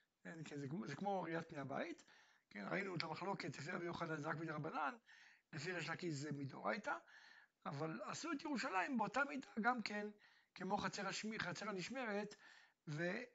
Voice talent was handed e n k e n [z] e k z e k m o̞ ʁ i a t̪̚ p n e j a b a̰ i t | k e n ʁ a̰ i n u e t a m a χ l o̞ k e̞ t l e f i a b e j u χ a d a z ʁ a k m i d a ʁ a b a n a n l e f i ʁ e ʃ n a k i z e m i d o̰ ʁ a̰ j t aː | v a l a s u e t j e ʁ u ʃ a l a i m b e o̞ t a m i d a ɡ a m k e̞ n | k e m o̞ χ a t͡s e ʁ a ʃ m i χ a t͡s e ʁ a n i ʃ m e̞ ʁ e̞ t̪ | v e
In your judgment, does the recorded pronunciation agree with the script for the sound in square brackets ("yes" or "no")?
yes